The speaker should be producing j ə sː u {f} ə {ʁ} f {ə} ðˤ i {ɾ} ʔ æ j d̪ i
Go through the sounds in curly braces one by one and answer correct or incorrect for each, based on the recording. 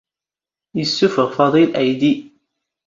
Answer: correct, correct, incorrect: ɑ, incorrect: l

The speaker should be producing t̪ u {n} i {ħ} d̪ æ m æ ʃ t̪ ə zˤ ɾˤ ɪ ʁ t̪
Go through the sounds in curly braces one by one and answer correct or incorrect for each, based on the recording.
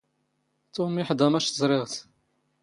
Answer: incorrect: m, correct

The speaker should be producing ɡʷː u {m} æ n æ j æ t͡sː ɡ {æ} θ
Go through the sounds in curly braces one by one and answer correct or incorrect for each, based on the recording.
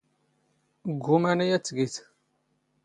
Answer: correct, incorrect: i

